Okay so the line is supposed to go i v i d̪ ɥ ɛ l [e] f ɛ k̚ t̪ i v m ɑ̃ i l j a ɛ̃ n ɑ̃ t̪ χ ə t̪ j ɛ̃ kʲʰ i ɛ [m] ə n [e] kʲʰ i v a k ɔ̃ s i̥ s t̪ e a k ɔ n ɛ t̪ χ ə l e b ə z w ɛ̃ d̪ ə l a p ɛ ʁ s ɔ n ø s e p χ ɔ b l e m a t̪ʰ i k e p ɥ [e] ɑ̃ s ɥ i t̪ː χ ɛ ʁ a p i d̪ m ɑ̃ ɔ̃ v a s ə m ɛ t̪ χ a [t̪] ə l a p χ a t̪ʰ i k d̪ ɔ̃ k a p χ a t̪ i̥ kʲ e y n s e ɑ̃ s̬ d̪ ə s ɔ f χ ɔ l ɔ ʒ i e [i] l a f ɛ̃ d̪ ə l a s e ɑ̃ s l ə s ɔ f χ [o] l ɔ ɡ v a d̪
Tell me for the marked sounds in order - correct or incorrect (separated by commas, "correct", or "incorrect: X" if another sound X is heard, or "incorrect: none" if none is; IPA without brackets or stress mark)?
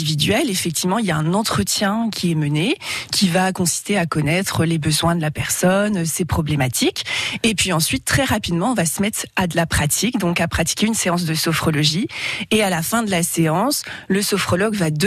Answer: correct, correct, correct, incorrect: i, incorrect: d̪, incorrect: a, incorrect: ɔ